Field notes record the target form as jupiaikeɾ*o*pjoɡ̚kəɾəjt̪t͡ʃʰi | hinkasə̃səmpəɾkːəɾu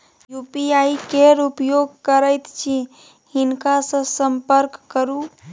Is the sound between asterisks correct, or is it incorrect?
incorrect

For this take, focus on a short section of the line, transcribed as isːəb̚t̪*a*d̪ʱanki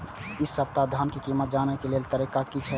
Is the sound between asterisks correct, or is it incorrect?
correct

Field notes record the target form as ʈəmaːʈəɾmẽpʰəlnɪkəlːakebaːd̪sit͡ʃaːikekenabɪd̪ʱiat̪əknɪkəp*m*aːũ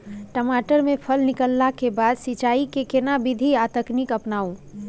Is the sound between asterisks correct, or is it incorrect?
incorrect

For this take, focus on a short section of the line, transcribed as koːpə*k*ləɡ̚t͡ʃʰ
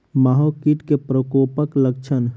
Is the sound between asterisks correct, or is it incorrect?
correct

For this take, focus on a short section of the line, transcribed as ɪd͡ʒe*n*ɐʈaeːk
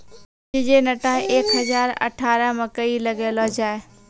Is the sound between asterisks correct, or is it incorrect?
correct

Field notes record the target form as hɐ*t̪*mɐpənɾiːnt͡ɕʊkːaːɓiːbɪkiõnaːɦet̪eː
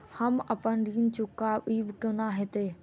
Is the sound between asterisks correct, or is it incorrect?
incorrect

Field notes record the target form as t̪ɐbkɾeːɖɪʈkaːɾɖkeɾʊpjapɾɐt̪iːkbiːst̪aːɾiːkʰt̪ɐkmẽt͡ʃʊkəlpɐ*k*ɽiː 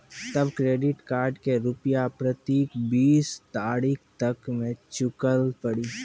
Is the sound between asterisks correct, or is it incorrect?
incorrect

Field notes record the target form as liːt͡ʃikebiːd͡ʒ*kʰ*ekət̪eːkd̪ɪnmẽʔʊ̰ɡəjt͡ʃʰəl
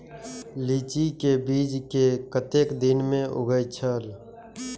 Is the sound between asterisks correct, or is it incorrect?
incorrect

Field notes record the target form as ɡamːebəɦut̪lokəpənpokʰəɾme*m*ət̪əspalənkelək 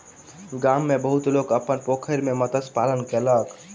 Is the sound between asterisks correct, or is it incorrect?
correct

